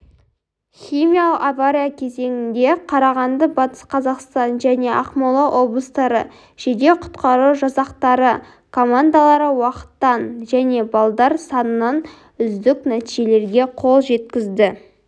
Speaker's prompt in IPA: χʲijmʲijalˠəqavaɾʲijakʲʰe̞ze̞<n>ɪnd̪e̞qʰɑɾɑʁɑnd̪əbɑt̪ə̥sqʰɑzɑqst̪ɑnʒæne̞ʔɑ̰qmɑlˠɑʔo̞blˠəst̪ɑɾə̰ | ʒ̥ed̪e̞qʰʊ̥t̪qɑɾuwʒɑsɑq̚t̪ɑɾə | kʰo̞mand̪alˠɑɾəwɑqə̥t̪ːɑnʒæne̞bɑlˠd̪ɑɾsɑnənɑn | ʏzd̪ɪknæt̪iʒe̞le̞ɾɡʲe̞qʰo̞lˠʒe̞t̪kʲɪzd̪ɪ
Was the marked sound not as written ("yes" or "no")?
yes